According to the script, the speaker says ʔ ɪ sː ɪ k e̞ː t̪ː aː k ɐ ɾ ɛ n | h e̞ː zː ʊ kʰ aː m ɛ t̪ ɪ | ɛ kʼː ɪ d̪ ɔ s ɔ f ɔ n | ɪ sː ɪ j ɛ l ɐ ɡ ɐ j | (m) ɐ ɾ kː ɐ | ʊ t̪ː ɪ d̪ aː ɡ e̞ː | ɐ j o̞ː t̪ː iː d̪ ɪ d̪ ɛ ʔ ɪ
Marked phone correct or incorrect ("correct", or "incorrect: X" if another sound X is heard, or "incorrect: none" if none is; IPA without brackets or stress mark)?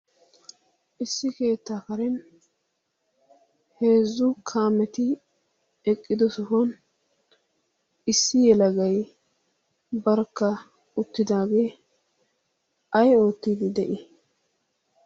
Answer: incorrect: b